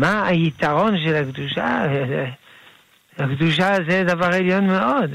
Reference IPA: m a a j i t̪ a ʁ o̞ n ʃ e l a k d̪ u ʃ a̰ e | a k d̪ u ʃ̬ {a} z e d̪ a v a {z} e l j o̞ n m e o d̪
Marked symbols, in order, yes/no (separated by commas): yes, no